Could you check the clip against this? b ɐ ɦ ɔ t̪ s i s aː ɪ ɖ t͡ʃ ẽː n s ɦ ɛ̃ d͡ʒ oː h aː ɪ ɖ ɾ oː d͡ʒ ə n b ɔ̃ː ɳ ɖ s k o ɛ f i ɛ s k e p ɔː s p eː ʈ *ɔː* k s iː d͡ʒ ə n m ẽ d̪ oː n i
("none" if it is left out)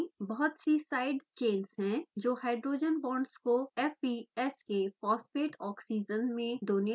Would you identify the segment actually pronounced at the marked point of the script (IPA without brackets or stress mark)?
ɔː